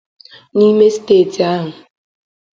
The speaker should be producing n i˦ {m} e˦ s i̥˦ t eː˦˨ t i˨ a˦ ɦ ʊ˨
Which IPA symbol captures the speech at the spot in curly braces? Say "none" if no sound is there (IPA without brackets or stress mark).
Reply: m